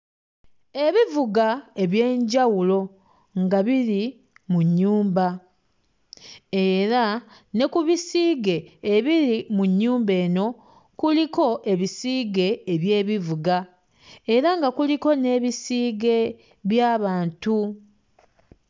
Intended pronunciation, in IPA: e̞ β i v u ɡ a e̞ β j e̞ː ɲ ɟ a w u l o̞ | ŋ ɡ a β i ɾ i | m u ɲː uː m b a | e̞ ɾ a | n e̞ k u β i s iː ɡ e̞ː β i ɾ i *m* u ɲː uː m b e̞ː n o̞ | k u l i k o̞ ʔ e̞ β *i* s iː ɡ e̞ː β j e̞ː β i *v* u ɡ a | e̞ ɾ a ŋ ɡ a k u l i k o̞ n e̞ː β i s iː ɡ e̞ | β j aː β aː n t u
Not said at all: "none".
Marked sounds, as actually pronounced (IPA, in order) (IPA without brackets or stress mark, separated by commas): m, i, v